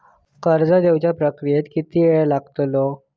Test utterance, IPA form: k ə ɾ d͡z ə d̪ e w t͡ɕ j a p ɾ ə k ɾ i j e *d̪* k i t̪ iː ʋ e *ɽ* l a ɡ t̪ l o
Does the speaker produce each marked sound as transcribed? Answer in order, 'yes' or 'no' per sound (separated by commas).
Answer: no, no